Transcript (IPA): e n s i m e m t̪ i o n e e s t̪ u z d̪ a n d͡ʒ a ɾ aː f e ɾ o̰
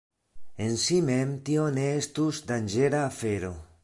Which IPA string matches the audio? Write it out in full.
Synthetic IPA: e n s i m e m t̪ i o n e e s t̪ u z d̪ a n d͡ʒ e ɾ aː f e ɾ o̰